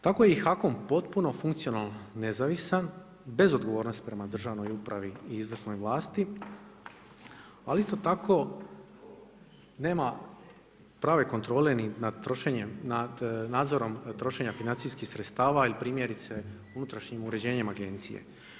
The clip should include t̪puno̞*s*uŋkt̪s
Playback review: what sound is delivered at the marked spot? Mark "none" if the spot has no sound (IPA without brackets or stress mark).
f